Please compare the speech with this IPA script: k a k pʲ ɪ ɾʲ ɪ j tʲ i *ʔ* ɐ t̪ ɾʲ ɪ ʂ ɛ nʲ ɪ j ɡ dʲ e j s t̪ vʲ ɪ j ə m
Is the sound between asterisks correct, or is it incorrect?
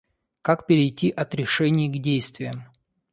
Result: correct